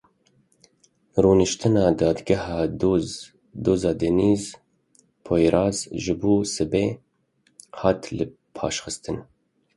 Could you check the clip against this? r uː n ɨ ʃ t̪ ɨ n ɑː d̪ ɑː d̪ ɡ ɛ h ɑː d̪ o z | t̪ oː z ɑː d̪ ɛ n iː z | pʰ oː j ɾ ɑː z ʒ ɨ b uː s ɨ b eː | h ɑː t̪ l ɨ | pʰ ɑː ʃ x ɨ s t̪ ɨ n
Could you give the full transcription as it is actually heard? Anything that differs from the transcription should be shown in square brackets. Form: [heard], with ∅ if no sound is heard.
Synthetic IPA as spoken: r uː n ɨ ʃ t̪ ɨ n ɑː d̪ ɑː d̪ ɡ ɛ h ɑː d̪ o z | [d̪] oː z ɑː d̪ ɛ n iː z | pʰ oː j ɾ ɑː z ʒ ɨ b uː s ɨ b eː | h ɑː t̪ l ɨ | pʰ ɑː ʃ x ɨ s t̪ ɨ n